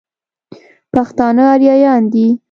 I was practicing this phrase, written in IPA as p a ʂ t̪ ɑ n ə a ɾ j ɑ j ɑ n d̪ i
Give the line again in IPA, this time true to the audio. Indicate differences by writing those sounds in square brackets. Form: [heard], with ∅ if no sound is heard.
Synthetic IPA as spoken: p a [x] t̪ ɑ n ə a ɾ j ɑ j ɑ n d̪ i